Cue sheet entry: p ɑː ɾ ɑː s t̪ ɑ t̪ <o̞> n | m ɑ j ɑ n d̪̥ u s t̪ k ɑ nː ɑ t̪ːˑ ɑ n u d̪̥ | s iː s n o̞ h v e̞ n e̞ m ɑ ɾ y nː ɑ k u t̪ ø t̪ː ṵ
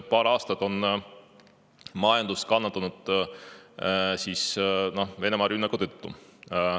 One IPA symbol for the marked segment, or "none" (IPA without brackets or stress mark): o̞